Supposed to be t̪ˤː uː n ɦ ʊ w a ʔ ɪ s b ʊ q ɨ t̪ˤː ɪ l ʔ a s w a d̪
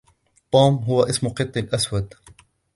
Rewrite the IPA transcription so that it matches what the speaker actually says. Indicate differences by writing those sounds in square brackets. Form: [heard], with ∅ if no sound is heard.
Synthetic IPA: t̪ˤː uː [m] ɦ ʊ w a ʔ ɪ s [m] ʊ q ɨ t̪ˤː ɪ l ʔ a s w a d̪